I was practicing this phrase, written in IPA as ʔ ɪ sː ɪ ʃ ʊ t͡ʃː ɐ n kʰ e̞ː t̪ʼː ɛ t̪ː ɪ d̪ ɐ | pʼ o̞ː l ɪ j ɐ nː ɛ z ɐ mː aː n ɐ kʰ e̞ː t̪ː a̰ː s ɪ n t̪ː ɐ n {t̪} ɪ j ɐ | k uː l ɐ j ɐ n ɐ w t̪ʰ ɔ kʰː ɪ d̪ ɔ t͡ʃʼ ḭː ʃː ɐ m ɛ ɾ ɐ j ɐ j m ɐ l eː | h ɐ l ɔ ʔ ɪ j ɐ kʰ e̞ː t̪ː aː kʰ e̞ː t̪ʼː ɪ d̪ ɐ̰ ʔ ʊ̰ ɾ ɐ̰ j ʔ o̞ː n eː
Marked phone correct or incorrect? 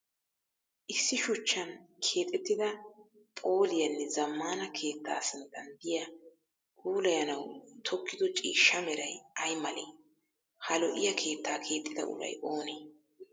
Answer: incorrect